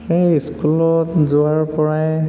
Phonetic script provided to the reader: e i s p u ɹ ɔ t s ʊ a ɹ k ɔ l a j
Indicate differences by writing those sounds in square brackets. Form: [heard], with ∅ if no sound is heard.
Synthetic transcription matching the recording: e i s [k] u [l] ɔ t [z] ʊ a ɹ [p] ɔ [ɹ] a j